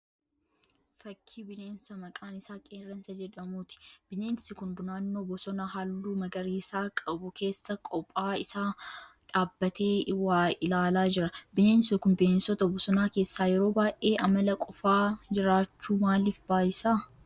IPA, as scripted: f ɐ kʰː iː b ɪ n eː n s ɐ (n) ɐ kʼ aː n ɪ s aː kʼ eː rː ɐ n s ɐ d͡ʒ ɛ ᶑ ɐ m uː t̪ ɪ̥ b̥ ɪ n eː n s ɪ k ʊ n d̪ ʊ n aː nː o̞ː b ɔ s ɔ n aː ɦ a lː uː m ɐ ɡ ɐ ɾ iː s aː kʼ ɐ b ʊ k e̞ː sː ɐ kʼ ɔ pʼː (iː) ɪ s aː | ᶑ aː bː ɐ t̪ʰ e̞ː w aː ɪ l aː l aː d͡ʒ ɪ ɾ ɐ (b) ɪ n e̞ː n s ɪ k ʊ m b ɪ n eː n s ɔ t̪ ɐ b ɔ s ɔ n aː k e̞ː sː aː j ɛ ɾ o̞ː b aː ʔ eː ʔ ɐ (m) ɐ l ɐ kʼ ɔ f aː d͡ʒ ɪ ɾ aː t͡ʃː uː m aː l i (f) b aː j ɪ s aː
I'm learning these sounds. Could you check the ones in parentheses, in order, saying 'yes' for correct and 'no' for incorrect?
no, no, yes, yes, yes

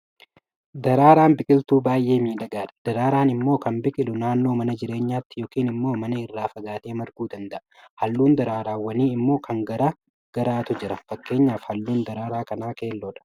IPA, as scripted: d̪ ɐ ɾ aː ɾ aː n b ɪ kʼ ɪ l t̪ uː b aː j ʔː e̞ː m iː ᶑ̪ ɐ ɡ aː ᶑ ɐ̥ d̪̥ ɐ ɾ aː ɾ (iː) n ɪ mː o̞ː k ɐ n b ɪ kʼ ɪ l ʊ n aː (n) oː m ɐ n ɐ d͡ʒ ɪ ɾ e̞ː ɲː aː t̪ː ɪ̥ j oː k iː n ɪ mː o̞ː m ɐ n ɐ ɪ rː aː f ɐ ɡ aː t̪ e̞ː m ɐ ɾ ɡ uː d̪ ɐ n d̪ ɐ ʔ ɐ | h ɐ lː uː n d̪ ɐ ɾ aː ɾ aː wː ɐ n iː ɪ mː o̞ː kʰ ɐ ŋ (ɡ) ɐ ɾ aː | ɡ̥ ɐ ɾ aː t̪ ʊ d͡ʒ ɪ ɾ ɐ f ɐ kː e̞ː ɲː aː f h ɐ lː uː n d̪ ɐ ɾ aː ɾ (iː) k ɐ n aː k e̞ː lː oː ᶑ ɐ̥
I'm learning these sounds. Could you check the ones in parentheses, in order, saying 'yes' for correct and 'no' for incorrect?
no, no, yes, no

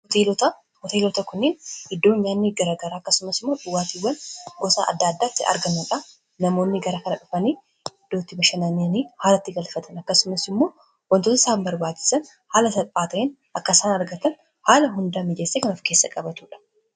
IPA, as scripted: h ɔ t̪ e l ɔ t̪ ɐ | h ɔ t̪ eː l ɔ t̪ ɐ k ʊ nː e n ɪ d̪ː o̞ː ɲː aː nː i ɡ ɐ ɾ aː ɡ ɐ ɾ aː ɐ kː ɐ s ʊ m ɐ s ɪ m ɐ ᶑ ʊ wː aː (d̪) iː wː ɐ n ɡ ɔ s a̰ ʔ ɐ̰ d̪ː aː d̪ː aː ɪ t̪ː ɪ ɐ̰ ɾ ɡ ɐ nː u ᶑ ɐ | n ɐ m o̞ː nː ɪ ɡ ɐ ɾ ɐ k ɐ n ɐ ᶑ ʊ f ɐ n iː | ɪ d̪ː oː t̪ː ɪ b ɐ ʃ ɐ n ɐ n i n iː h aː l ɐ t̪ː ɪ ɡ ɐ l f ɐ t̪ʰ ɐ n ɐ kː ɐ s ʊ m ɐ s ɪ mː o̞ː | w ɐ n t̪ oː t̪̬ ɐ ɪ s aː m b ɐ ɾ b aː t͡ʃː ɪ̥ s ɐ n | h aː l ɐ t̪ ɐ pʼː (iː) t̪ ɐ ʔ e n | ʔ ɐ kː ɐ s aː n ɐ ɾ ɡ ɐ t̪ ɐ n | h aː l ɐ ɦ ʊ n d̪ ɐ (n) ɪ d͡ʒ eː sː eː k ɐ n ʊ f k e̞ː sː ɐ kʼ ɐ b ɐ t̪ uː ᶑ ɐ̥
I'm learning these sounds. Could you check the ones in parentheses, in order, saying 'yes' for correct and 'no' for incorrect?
no, no, no

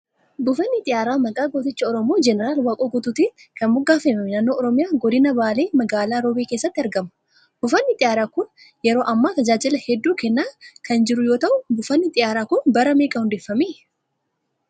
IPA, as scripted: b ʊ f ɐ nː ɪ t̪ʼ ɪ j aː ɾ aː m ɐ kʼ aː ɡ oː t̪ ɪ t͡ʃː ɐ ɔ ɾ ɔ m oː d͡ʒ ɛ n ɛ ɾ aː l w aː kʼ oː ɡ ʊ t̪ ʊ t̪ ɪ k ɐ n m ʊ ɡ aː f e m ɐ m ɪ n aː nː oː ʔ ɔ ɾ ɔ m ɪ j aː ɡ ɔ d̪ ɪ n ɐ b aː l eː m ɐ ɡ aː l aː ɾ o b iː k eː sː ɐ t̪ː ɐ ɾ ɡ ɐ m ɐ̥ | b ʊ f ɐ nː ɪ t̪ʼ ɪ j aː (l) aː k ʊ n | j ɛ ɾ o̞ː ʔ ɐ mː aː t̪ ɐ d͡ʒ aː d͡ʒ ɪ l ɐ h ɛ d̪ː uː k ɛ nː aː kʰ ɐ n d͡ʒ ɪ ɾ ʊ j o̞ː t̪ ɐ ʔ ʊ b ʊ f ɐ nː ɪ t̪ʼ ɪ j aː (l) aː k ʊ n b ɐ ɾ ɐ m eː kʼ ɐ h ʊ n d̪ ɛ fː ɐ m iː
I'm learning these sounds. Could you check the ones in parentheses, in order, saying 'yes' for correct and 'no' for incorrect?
no, no

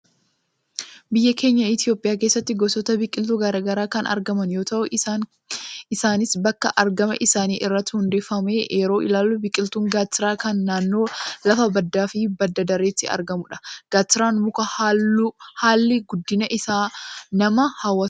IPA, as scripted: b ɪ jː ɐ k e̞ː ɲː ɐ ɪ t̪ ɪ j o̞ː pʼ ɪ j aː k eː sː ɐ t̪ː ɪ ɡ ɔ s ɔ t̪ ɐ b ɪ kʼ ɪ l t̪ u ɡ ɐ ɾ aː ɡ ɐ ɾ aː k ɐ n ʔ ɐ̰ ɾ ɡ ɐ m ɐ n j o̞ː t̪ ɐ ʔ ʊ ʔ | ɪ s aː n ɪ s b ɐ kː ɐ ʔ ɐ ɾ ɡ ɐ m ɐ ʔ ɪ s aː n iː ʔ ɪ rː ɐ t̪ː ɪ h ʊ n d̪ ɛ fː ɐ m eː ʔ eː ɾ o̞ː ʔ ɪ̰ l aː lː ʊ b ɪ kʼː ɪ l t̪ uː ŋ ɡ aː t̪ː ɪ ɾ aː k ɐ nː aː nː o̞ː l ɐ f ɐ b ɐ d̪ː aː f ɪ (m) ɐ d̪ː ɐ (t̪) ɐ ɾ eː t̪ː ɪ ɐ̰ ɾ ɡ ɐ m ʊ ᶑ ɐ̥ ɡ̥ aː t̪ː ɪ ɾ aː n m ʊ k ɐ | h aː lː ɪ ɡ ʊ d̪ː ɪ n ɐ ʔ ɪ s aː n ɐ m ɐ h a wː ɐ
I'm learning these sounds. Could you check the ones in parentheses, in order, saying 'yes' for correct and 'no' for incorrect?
no, no

